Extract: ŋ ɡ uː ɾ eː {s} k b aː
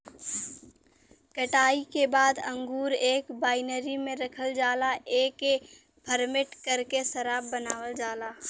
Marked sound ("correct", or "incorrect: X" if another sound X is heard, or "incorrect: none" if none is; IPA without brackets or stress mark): incorrect: none